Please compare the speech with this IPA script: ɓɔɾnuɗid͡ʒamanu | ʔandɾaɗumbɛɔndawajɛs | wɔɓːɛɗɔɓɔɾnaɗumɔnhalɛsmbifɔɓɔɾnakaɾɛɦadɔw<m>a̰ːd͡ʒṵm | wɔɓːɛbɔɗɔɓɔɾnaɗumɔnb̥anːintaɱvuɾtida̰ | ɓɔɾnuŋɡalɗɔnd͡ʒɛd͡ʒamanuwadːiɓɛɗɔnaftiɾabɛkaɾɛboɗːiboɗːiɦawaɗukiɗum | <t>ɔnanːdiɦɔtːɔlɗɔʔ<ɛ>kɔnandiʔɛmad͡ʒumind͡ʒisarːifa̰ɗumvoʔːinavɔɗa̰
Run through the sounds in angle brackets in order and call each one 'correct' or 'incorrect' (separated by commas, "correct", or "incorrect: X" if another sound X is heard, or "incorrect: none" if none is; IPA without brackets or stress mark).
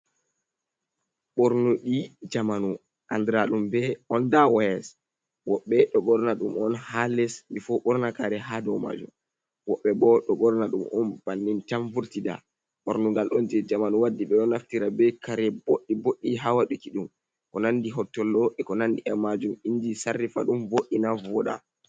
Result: correct, incorrect: k, correct